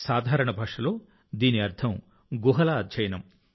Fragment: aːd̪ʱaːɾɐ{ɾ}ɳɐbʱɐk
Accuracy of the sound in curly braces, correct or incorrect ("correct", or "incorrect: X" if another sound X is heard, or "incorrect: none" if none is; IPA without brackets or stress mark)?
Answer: incorrect: none